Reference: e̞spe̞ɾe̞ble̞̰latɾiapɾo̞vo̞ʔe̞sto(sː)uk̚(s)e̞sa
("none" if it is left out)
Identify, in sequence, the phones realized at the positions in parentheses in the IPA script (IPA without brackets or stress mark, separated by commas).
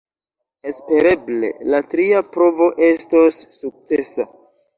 sː, t͡s